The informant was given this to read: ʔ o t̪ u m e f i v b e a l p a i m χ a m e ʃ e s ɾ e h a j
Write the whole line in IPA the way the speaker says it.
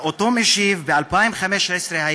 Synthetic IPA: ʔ o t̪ o m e ʃ i v b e a l p a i m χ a m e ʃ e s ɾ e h a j